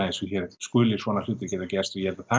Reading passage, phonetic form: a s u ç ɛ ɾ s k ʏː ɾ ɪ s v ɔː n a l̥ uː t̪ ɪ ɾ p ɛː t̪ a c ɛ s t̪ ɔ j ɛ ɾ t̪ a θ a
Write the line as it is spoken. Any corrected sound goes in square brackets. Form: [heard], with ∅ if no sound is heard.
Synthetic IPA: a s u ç ɛ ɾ s k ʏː [l] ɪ s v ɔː n a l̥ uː t̪ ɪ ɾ [c] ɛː t̪ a c ɛ s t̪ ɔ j ɛ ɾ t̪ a θ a